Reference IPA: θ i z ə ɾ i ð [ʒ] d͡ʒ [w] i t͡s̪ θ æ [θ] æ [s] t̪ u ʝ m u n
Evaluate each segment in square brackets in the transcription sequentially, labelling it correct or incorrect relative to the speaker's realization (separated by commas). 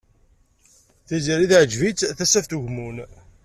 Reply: incorrect, incorrect, incorrect, incorrect